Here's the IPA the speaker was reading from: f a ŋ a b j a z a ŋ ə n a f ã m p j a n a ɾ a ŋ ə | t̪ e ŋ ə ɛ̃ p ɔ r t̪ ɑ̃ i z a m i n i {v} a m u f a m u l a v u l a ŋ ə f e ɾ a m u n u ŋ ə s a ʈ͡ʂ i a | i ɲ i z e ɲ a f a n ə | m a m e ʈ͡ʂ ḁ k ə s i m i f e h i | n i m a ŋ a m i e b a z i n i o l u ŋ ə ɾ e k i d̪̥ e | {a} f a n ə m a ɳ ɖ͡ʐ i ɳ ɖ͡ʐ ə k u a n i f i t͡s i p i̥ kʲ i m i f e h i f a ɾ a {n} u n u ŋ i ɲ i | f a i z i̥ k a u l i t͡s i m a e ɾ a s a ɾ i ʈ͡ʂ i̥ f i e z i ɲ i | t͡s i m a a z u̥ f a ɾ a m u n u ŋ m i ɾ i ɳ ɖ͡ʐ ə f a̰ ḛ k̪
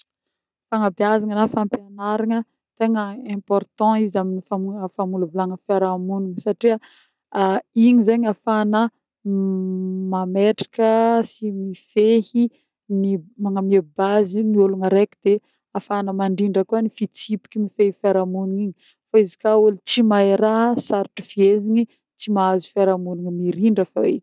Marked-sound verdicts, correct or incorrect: incorrect: f, correct, incorrect: m

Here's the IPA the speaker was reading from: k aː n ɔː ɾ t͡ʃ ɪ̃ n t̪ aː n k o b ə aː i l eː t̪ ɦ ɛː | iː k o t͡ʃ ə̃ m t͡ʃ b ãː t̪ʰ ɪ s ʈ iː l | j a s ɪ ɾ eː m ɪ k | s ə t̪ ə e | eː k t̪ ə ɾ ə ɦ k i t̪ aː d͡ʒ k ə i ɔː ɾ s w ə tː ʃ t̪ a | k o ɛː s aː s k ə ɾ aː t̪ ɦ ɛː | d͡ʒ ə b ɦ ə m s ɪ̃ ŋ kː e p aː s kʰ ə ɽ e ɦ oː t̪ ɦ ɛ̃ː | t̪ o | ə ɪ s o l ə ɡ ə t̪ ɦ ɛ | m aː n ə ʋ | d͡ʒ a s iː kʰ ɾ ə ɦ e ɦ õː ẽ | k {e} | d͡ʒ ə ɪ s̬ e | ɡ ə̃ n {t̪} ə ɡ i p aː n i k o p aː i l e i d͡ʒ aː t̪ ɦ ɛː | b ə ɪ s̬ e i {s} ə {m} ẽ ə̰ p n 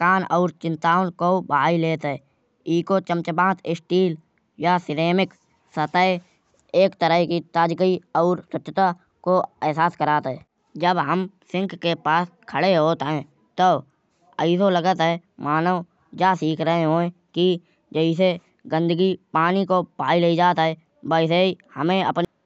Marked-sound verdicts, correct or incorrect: incorrect: i, incorrect: d̪, incorrect: h, correct

